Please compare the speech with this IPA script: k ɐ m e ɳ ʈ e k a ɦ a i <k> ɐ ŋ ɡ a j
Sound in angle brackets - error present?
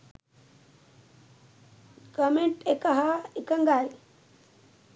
no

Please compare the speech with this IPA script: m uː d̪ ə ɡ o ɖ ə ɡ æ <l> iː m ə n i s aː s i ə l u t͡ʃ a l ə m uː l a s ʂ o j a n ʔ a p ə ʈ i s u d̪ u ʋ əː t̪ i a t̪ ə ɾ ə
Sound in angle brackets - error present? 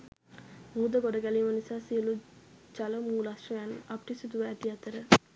no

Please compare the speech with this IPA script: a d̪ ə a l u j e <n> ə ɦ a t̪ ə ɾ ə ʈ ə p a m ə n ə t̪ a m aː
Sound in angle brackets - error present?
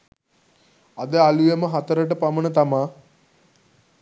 yes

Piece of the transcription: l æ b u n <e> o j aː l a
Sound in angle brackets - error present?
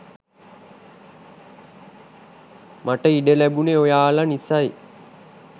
no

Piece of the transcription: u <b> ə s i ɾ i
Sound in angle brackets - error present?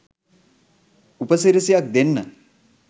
yes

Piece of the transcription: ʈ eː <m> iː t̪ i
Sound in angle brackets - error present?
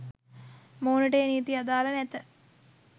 yes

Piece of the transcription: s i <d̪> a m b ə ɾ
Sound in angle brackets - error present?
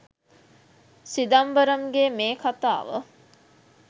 no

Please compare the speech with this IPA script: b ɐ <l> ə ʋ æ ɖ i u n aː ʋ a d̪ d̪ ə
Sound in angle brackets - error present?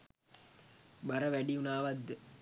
yes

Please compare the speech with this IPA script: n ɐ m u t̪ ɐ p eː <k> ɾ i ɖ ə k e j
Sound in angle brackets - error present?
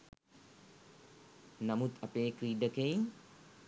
no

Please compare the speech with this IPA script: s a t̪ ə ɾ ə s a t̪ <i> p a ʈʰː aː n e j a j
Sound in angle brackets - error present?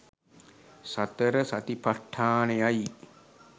no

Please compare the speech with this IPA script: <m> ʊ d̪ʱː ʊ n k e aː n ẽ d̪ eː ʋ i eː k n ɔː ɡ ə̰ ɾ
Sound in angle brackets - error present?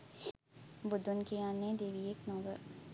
yes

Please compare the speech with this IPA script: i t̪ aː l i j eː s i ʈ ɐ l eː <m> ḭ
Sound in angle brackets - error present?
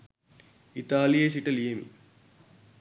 no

